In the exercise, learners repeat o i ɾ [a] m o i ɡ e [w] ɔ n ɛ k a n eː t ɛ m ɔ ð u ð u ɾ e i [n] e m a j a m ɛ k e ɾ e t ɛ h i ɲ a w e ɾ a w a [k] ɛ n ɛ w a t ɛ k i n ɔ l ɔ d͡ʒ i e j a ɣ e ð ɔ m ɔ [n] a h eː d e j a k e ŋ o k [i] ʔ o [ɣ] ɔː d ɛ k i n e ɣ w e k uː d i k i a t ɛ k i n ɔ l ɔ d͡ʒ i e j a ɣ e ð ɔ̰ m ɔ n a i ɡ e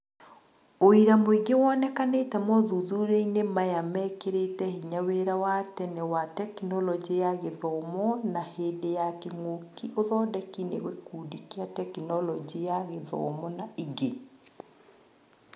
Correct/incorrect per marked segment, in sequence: correct, correct, correct, incorrect: t, correct, correct, incorrect: ð

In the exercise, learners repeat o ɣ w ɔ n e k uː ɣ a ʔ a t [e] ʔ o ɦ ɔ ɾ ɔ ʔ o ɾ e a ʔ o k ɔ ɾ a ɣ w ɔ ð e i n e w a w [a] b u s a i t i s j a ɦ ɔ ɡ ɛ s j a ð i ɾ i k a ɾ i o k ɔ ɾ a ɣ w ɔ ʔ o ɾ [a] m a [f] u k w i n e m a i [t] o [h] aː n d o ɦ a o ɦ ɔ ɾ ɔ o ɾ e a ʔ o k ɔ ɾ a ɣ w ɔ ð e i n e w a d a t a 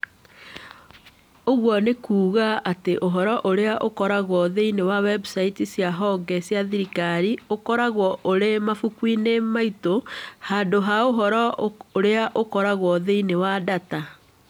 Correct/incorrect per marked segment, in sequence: correct, incorrect: ɛ, incorrect: e, correct, correct, correct

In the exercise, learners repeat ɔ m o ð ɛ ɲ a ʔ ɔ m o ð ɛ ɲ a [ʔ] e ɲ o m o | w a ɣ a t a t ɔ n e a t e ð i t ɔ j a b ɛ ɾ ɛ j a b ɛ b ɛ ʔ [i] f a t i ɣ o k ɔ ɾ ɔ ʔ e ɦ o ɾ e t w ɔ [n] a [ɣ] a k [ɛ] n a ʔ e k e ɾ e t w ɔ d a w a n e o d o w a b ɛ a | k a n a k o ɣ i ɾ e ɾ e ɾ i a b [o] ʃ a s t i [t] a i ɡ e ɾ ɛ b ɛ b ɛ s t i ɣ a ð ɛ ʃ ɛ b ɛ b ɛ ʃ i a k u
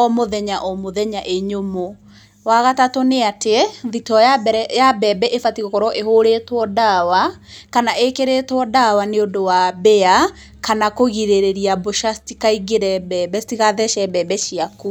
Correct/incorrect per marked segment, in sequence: correct, incorrect: e, incorrect: d, incorrect: w, incorrect: a, correct, incorrect: k

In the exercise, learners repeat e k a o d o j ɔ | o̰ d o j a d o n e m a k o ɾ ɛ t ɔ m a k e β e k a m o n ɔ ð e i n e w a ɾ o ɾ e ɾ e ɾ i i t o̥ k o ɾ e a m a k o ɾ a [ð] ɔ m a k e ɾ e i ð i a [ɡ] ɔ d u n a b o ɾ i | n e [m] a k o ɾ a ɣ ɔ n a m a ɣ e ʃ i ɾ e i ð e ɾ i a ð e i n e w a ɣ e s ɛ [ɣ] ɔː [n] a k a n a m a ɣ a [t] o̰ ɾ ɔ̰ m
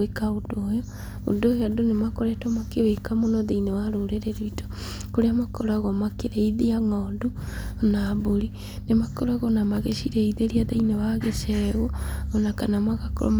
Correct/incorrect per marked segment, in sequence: incorrect: ɣ, incorrect: ŋ, correct, correct, correct, incorrect: k

